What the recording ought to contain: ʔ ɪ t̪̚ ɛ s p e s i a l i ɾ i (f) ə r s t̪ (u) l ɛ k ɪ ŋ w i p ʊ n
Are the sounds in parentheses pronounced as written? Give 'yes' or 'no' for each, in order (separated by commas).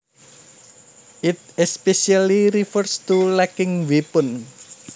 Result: yes, yes